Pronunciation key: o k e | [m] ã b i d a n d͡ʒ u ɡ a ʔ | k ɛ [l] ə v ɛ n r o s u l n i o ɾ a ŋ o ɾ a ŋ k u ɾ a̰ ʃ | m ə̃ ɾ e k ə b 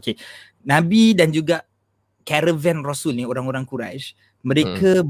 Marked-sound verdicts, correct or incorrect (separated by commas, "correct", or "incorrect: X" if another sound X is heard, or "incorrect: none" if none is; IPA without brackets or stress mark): incorrect: n, incorrect: ɾ